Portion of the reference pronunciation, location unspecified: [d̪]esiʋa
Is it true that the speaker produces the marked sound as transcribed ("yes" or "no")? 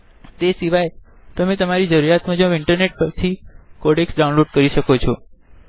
no